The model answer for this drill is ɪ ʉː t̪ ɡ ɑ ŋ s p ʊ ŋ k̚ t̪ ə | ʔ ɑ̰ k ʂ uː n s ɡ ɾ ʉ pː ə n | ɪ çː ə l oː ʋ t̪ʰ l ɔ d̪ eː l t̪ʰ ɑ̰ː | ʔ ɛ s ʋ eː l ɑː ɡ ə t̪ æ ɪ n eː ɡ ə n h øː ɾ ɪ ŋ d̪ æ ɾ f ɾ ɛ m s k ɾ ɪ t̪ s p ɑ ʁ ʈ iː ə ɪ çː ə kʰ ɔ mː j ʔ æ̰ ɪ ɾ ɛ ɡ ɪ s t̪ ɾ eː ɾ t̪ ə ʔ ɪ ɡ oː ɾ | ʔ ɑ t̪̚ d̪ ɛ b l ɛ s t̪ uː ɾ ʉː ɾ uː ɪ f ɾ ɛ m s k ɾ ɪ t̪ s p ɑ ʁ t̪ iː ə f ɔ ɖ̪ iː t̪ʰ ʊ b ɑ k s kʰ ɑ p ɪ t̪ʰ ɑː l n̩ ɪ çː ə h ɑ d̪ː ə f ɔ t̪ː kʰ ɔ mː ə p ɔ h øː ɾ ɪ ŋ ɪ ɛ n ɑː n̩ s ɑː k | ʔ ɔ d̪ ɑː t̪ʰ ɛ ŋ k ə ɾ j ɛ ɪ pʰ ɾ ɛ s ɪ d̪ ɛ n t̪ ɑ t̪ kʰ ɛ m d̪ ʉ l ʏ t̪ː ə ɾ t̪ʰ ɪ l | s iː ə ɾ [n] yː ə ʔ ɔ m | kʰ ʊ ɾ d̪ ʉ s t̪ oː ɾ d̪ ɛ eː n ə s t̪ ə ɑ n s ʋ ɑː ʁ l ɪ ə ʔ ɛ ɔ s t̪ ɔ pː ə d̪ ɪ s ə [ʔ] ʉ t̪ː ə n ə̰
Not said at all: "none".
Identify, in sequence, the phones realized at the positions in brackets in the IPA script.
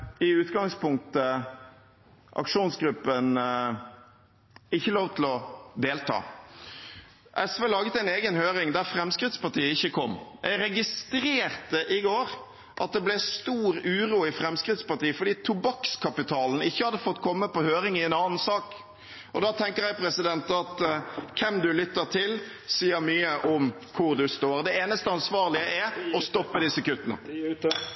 m, k

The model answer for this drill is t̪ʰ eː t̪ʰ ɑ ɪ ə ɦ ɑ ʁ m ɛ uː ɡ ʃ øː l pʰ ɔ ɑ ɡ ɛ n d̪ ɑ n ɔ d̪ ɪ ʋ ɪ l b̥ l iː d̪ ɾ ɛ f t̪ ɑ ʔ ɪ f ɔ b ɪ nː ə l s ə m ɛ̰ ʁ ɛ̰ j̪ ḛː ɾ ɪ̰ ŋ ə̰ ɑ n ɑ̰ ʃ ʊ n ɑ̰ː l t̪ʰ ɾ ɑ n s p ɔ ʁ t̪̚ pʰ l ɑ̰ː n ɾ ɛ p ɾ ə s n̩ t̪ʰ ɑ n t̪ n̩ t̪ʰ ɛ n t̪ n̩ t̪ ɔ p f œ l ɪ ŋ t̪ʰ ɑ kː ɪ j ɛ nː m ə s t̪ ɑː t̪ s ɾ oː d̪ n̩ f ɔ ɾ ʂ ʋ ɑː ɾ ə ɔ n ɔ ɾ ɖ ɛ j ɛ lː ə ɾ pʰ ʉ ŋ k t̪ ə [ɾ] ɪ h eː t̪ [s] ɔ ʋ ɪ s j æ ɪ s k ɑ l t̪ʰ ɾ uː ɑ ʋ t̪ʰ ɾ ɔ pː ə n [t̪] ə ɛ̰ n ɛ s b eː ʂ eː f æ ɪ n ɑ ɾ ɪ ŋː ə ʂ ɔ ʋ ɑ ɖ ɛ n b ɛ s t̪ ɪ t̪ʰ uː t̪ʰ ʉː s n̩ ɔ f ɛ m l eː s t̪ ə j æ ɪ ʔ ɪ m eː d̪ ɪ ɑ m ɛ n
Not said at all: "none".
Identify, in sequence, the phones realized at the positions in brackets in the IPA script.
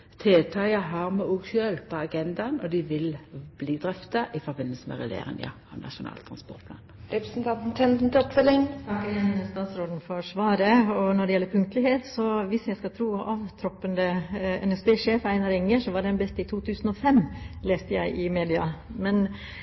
l, s, d̪

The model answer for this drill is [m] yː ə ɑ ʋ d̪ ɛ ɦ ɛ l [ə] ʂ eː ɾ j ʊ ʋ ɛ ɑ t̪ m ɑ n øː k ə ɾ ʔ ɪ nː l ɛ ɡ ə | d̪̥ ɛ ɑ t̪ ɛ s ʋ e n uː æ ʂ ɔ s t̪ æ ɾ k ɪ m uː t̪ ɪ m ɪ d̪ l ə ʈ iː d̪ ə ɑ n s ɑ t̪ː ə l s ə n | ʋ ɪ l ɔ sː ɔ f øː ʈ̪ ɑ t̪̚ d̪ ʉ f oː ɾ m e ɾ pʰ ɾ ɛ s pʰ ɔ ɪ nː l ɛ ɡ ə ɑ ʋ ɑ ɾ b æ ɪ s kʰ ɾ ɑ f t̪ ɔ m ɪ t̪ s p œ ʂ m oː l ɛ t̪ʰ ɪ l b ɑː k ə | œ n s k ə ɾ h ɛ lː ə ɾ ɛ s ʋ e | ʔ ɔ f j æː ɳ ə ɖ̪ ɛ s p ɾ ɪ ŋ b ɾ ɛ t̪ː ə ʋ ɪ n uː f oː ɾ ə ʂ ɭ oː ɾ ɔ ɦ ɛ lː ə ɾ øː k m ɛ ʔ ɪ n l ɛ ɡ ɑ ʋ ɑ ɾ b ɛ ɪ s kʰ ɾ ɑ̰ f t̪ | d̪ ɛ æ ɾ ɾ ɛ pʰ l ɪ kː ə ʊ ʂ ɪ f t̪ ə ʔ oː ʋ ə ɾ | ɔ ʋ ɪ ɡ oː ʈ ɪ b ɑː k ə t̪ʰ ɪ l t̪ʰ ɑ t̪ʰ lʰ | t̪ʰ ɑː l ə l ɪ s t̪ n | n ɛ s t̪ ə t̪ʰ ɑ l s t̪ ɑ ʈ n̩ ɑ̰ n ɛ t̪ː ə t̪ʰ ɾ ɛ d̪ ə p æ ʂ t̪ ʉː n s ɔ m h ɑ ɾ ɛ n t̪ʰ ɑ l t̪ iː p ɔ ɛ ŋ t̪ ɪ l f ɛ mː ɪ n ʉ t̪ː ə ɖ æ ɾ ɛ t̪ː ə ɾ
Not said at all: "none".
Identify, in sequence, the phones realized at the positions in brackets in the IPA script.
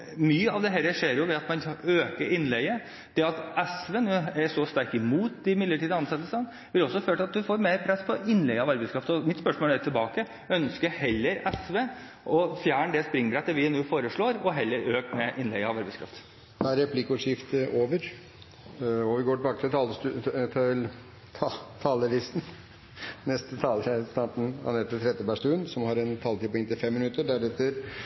m, ə

